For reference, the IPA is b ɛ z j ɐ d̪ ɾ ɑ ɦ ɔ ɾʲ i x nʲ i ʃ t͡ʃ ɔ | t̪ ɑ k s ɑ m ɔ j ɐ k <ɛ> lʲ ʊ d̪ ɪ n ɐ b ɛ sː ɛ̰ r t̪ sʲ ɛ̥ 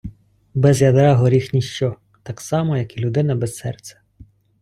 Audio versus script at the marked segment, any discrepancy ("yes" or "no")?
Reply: yes